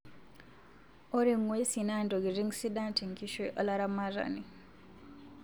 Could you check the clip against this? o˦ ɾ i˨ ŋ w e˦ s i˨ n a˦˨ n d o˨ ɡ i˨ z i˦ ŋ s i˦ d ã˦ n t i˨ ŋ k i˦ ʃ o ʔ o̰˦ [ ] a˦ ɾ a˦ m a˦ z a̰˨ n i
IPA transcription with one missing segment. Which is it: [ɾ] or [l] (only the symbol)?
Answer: l